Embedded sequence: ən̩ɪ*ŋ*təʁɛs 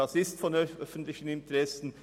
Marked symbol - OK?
no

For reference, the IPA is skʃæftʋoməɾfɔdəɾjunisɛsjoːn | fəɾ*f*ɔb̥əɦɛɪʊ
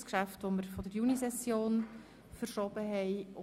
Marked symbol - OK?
no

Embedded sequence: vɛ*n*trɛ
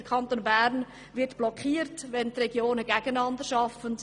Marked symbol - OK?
yes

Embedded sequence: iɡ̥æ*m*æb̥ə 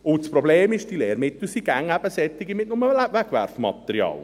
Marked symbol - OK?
no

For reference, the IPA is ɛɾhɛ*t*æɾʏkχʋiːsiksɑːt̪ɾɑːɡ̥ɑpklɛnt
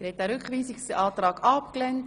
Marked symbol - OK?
yes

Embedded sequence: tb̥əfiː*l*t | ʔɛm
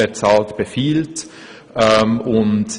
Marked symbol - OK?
yes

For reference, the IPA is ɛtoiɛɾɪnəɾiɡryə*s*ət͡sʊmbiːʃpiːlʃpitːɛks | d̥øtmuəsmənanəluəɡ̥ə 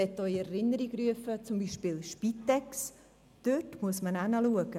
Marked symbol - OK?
no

